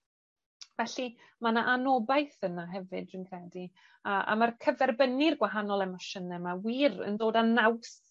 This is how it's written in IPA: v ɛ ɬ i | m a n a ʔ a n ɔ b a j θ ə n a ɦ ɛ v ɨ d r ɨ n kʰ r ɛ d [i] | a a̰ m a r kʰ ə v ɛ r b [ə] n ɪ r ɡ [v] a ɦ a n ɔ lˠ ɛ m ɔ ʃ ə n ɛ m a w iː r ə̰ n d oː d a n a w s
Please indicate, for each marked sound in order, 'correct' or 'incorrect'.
correct, correct, incorrect: w

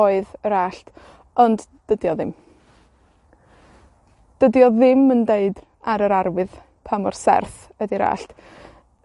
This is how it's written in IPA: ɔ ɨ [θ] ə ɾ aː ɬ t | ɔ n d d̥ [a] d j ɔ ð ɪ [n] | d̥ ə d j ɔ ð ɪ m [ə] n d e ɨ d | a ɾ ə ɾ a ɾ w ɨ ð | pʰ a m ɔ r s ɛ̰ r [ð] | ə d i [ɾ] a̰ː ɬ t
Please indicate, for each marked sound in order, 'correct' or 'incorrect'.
incorrect: ð, incorrect: ə, incorrect: m, correct, incorrect: θ, correct

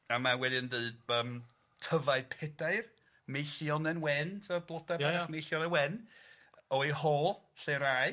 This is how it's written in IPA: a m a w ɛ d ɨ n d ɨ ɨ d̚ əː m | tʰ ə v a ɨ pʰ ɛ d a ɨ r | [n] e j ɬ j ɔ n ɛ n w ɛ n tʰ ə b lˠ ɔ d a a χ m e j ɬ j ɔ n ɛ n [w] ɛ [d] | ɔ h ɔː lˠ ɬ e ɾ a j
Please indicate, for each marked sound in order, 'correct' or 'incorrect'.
incorrect: m, correct, incorrect: n

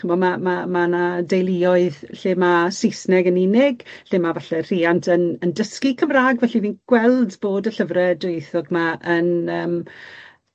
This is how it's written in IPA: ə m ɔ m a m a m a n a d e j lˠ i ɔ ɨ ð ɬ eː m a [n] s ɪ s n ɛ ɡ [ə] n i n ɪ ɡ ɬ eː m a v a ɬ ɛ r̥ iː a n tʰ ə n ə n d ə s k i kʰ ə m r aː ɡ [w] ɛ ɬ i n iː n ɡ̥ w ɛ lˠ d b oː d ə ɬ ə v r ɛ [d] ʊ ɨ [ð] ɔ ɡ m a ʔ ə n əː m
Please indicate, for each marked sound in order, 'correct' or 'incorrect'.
incorrect: none, correct, incorrect: v, correct, incorrect: θ

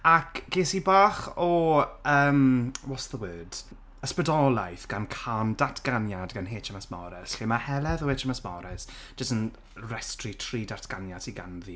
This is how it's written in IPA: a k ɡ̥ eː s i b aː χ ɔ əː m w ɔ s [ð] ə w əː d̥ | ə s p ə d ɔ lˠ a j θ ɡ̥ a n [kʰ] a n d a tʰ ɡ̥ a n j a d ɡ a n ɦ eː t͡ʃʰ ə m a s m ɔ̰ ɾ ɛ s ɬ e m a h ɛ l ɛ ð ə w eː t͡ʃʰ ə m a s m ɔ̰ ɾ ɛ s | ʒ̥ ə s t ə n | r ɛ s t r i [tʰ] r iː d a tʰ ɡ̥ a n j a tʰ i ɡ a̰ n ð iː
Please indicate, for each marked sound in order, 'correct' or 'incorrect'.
correct, correct, correct

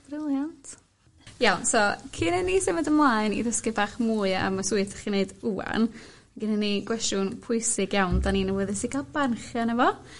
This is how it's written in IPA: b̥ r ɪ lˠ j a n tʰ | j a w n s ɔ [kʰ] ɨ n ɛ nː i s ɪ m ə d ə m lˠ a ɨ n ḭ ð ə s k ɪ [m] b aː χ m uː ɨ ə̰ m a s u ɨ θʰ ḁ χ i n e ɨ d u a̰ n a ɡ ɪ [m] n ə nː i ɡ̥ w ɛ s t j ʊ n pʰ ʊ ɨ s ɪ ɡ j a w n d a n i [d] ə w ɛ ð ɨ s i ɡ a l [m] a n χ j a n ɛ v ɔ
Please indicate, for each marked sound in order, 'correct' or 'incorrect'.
correct, incorrect: none, incorrect: none, incorrect: n, incorrect: b

